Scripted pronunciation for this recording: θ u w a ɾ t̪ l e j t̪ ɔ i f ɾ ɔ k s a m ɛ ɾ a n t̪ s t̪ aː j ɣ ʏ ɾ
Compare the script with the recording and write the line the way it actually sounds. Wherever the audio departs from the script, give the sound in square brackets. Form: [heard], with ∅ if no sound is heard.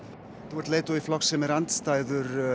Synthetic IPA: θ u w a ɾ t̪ l e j t̪ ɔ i f [l] ɔ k s [ɛ] m ɛ ɾ a n t̪ s t̪ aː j [ð] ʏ ɾ

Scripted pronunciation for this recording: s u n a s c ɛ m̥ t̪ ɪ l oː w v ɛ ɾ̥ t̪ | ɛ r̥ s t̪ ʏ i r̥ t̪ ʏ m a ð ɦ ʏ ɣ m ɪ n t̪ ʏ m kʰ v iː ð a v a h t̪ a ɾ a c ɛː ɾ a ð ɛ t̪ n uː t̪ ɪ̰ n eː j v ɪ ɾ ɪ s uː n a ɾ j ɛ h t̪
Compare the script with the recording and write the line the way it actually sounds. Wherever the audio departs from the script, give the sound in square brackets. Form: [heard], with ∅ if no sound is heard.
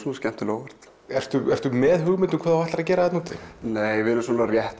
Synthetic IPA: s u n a s c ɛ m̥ t̪ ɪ l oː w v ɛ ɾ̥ t̪ | ɛ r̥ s t̪ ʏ [ɛ] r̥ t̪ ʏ m [ɛ] ð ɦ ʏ ɣ m ɪ n t̪ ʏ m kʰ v [aː] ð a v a h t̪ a ɾ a c ɛː ɾ a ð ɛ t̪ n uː t̪ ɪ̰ n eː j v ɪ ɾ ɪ s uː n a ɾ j ɛ h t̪

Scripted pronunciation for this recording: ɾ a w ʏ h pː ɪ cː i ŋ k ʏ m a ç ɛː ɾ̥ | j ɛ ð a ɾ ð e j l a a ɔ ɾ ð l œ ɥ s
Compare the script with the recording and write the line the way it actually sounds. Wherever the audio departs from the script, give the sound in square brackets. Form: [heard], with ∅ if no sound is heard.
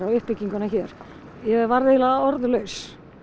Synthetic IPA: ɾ a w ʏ h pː ɪ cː i ŋ k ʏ [n] a ç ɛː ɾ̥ | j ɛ [v] a ɾ ð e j l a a ɔ ɾ ð l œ ɥ s

